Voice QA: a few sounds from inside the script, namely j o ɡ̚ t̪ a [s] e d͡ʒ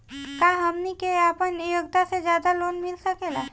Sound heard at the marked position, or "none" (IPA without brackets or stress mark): s